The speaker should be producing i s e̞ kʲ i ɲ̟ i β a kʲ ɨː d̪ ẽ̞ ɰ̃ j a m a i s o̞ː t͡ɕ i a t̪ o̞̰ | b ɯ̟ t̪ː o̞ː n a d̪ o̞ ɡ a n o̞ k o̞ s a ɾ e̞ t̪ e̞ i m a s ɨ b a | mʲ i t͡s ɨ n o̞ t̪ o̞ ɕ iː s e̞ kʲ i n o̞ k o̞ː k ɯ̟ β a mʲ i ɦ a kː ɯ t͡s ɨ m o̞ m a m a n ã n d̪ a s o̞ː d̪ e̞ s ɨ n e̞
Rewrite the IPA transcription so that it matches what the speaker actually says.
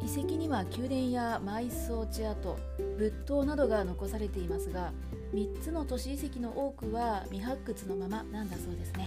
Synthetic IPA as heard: i s e̞ kʲ i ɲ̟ i β a kʲ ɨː d̪ ẽ̞ ɰ̃ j a m a i s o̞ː t͡ɕ i a t̪ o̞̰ | b ɯ̟ t̪ː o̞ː n a d̪ o̞ ɡ a n o̞ k o̞ s a ɾ e̞ t̪ e̞ i m a s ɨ ɡ a | mʲ i t͡s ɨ n o̞ t̪ o̞ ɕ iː s e̞ kʲ i n o̞ ʔ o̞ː k ɯ̟ β a mʲ i ɦ a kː ɯ t͡s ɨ n o̞ m a m a n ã n d̪ a s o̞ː d̪ e̞ s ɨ n e̞